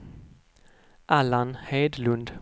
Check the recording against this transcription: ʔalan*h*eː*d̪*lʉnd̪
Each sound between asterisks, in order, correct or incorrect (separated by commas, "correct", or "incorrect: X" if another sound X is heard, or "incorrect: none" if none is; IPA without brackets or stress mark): correct, correct